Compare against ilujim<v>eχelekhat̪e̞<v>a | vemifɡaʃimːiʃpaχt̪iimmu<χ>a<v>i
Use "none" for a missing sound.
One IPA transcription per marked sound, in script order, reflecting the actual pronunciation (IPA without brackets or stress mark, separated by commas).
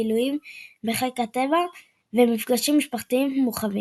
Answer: b, v, χ, v